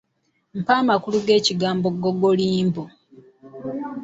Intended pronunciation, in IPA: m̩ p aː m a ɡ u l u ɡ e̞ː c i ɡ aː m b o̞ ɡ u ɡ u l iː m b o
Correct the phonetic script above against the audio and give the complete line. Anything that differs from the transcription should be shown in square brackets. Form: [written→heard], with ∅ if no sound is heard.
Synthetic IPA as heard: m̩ p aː m a [ɡ→k] u l u ɡ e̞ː c i ɡ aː m b o̞ ɡ [u→o] ɡ [u→o] l iː m b o